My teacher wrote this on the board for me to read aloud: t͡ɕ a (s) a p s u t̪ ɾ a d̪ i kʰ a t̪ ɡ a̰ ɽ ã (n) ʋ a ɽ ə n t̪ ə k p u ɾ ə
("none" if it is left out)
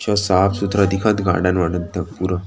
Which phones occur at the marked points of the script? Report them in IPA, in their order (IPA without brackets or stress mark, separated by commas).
s, n